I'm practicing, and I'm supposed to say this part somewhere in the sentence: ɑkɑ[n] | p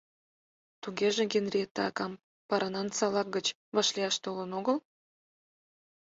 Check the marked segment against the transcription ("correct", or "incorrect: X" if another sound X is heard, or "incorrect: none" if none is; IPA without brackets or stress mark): incorrect: m